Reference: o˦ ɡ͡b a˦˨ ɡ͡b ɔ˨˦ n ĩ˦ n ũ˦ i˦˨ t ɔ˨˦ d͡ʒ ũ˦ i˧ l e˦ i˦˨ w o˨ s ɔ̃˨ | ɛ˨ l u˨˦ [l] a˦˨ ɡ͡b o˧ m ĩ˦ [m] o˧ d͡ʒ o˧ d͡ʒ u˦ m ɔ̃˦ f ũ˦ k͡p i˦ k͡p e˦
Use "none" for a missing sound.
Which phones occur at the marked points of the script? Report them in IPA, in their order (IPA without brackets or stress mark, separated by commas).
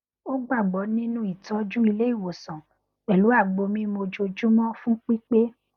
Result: none, m